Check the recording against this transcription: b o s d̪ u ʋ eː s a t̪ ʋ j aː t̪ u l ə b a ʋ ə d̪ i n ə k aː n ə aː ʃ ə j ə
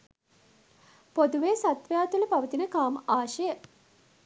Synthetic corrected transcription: p o d̪ u ʋ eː s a t̪ ʋ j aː t̪ u l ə p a ʋ ə t̪ i n ə k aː m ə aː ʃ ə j ə